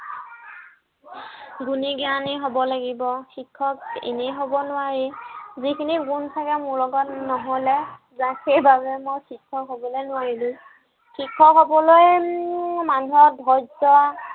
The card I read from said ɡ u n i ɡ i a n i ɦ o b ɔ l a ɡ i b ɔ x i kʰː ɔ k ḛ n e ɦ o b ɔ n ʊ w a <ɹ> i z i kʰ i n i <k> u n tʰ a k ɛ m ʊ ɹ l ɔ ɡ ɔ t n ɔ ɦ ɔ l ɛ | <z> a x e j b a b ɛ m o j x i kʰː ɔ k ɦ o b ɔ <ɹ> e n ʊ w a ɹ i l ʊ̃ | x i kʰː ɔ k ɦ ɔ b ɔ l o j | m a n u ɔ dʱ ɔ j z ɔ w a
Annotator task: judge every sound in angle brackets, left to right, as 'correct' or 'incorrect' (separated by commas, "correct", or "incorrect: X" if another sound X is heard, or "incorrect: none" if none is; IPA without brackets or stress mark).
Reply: correct, incorrect: ɡ, correct, incorrect: l